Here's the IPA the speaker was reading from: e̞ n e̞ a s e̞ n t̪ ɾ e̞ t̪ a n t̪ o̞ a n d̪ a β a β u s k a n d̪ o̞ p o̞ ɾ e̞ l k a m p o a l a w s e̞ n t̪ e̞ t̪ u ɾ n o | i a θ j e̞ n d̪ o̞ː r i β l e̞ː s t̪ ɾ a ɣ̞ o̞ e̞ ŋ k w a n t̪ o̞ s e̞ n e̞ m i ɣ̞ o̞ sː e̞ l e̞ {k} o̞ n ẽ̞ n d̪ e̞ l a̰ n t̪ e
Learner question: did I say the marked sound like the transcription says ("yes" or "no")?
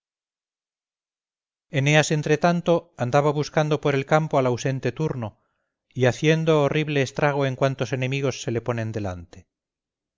no